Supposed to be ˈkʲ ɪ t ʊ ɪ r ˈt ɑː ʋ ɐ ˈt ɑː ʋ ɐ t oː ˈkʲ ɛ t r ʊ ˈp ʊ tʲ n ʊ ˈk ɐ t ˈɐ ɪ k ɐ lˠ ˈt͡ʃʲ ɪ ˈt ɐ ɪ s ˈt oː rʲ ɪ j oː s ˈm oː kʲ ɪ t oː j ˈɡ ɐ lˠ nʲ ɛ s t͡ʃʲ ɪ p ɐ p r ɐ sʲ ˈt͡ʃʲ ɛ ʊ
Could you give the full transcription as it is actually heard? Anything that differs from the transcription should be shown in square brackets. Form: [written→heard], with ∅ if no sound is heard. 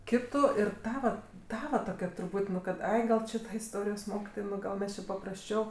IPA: ˈkʲ ɪ t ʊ ɪ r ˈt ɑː ʋ ɐ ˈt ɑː ʋ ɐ t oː ˈkʲ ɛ t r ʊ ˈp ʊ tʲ n ʊ ˈk ɐ t ˈɐ ɪ [k→ɡ] ɐ lˠ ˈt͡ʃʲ ɪ ˈt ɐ ɪ s ˈt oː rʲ ɪ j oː s ˈm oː kʲ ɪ t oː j ˈɡ ɐ lˠ [nʲ→mʲ] ɛ s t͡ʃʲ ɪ p ɐ p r ɐ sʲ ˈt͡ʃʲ ɛ ʊ